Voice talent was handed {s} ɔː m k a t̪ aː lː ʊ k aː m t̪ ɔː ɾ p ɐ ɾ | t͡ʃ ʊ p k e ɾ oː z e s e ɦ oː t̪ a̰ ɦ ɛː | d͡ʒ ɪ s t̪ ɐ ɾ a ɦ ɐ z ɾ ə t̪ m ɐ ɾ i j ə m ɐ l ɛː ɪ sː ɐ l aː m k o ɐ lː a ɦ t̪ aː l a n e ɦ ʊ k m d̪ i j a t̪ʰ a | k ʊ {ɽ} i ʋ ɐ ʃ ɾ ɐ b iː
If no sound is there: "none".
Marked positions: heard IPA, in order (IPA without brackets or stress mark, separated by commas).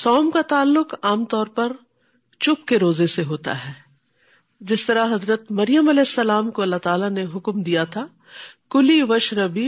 s, l